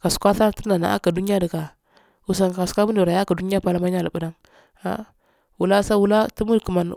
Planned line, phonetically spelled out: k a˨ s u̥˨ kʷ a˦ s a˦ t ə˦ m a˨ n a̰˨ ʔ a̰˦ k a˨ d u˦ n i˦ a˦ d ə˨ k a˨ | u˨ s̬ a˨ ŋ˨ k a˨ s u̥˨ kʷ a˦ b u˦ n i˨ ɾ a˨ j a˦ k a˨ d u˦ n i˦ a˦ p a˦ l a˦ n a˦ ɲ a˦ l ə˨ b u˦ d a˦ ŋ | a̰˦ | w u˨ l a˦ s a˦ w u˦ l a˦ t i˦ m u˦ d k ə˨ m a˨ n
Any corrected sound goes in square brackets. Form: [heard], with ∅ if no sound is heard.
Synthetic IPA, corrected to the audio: k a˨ s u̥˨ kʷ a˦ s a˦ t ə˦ [n] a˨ n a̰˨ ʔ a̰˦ k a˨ d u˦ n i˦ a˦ d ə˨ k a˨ | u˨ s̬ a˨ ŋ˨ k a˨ s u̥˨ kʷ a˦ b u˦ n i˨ ɾ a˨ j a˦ k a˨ d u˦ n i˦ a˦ p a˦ l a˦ [m] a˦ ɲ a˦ l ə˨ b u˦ d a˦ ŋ | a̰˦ | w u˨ l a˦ s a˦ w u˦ l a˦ t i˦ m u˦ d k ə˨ m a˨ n